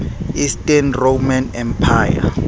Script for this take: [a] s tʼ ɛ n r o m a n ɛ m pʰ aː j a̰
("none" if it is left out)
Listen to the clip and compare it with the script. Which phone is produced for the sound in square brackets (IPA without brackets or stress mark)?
i